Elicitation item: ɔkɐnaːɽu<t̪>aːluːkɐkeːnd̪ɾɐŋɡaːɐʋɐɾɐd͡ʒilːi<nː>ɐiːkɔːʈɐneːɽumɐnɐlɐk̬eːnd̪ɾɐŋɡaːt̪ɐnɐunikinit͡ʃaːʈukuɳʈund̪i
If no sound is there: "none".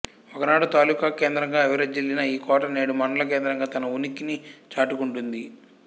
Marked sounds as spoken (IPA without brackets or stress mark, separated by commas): t̪, n